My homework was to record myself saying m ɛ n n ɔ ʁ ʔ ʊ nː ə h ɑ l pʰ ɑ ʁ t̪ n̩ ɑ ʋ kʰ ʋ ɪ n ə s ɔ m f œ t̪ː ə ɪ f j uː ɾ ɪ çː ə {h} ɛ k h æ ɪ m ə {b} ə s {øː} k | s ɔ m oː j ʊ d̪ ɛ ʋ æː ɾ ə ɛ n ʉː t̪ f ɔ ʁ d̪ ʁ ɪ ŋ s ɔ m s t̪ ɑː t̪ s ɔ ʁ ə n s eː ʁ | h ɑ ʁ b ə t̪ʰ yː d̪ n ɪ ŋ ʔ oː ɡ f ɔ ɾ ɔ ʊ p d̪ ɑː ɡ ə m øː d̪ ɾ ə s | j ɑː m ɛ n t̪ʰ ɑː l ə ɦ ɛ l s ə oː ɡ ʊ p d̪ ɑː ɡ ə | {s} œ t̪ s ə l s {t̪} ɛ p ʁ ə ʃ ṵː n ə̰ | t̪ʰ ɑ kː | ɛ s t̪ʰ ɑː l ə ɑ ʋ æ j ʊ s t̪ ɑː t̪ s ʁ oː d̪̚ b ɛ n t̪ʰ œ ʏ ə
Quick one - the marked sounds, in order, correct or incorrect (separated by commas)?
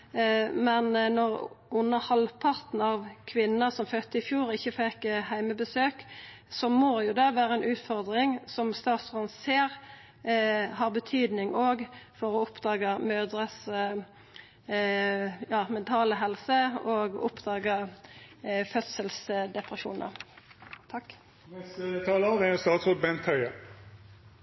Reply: incorrect, correct, correct, incorrect, incorrect